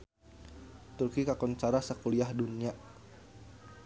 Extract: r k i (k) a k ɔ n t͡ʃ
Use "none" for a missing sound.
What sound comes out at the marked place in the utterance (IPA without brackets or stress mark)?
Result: k